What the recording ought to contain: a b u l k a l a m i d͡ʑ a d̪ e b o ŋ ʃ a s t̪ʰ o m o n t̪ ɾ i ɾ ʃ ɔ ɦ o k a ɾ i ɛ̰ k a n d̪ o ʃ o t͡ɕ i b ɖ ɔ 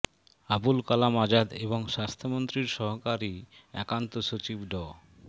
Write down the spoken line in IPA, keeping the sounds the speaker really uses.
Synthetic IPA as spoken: a b u l k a l a m a d͡ʑ a d̪ e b o ŋ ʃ a s t̪ʰ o m o n t̪ ɾ i ɾ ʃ ɔ ɦ o k a ɾ i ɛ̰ k a n t̪ o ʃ o t͡ɕ i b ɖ ɔ